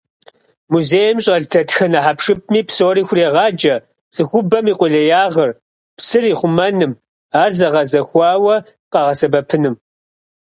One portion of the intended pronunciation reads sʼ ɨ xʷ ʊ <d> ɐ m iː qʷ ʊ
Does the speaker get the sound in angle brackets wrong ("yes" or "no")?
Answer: yes